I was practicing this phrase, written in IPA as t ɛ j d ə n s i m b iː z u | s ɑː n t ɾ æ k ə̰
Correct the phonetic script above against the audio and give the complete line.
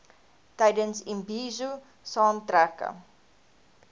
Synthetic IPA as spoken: t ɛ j d ə n s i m b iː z u | s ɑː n t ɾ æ k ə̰